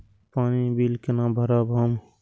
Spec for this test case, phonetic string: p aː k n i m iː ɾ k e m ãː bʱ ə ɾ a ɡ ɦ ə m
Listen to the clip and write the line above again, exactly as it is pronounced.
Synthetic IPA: p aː n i b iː l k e n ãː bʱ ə ɾ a b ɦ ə m

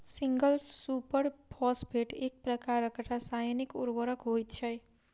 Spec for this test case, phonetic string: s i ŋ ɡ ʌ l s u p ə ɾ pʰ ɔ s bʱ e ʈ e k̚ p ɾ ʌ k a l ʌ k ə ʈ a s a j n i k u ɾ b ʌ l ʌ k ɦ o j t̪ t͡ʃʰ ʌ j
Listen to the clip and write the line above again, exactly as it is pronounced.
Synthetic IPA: s i ŋ ɡ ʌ l s u p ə ɾ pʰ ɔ s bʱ e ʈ e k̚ p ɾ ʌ k a ɾ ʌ k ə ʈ a s a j n i k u ɾ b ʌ ɾ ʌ k ɦ o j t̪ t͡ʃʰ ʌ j

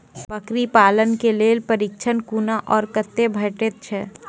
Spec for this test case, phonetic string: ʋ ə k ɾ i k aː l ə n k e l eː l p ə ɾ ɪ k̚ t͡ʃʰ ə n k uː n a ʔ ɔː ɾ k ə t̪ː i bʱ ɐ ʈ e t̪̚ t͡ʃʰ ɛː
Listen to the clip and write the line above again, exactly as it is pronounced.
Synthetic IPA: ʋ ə k ɾ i p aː l ə n k e l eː l p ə ɾ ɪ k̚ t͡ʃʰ ə n k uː n a ʔ ɔː ɾ k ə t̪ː e bʱ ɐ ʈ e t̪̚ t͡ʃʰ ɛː

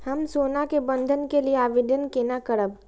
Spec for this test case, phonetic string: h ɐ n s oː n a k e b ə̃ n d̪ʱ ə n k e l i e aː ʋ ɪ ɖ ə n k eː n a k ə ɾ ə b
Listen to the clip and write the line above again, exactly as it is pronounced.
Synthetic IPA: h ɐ m s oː n a k e b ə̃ n d̪ʱ ə n k e l i e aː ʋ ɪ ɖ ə n k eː n a k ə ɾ ə b

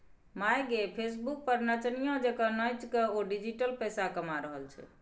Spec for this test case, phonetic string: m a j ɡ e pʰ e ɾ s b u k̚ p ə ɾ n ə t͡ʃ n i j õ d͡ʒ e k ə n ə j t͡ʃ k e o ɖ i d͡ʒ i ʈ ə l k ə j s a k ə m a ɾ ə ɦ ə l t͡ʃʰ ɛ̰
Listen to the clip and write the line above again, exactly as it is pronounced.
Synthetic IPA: m a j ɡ e pʰ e s b u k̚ p ə ɾ n ə t͡ʃ n i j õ d͡ʒ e k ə n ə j t͡ʃ k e o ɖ i d͡ʒ i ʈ ə l p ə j s a k ə m a ɾ ə ɦ ə l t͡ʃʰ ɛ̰

